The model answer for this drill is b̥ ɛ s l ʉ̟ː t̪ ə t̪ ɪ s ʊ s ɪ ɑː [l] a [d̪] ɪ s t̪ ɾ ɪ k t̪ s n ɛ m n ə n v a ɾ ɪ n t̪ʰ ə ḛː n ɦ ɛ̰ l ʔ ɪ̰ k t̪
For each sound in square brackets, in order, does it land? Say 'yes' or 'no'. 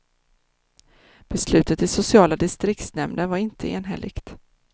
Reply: yes, yes

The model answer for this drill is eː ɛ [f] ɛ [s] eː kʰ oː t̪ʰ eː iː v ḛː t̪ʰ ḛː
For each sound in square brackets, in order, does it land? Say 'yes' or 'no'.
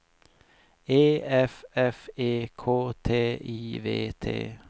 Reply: yes, no

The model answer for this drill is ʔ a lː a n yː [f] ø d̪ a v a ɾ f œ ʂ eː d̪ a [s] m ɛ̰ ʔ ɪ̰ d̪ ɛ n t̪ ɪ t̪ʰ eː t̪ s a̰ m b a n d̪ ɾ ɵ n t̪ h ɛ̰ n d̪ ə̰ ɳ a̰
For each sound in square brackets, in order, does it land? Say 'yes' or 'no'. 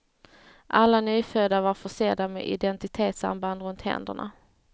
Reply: yes, no

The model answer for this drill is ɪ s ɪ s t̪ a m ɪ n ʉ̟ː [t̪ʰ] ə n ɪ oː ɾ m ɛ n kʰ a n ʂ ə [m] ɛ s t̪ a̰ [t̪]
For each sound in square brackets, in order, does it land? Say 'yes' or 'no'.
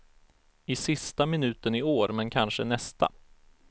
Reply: no, no, no

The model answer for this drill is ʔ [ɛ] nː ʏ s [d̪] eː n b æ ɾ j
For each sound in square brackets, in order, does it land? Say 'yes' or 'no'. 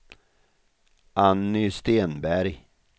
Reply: no, no

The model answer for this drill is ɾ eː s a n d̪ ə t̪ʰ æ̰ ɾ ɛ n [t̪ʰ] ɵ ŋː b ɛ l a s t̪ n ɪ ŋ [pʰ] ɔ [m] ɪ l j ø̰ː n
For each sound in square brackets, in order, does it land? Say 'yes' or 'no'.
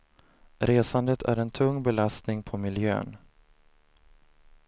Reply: yes, yes, yes

